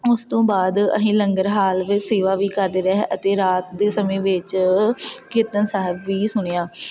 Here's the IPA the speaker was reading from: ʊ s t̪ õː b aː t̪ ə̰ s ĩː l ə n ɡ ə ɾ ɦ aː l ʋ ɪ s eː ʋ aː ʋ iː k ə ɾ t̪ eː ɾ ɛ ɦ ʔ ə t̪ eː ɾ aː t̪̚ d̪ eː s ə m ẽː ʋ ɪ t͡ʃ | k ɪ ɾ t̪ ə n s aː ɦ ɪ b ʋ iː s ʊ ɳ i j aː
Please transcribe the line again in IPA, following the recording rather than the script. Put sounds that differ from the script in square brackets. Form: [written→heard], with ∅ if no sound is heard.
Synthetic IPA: ʊ s t̪ õː b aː [t̪→d̪] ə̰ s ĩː l ə [n→ŋ] ɡ ə ɾ ɦ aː l ʋ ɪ s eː ʋ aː ʋ iː k ə ɾ [t̪→d̪] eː ɾ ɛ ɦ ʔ ə t̪ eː ɾ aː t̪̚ d̪ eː s ə m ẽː ʋ ɪ t͡ʃ | k ɪ ɾ t̪ ə n s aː ɦ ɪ b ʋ iː s ʊ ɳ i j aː